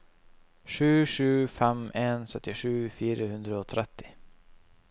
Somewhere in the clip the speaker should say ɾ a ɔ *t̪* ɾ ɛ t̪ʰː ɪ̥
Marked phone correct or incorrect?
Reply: incorrect: t̪ʰ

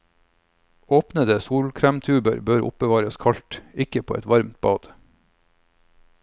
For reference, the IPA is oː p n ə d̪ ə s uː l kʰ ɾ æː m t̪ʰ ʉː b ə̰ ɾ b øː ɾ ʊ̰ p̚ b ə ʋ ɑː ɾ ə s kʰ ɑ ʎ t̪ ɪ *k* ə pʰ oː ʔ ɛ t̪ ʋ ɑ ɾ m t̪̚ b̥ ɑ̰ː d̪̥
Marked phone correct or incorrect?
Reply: correct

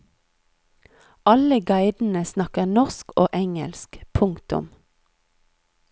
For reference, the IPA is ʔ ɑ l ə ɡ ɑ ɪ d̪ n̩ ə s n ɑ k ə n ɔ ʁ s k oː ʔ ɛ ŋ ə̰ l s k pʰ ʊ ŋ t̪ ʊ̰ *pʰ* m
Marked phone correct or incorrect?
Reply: incorrect: none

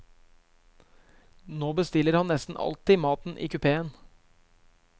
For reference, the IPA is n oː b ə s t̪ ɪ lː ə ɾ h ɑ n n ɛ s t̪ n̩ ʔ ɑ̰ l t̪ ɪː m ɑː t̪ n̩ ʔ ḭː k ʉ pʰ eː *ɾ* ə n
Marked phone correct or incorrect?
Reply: incorrect: none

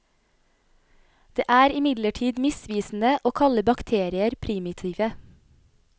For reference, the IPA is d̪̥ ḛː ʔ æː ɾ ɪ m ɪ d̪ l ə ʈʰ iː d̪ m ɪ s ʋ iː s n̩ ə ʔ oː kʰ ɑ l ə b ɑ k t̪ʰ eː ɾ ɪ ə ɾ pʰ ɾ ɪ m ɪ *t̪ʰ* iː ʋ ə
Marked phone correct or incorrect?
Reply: correct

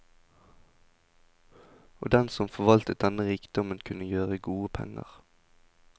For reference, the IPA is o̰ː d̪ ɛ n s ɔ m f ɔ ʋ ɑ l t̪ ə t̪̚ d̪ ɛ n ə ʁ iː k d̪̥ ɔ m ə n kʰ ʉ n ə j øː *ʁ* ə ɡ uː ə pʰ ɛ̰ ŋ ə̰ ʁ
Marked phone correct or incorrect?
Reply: correct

